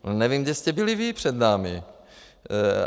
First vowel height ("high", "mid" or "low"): mid